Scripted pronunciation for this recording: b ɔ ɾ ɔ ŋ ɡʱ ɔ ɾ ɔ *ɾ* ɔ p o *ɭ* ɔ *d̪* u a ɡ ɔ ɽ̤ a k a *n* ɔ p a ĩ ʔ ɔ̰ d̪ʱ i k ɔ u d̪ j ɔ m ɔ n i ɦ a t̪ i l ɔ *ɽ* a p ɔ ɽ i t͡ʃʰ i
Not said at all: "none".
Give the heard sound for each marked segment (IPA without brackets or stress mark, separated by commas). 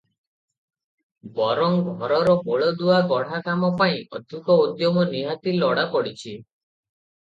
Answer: ɾ, ɭ, d̪, m, ɽ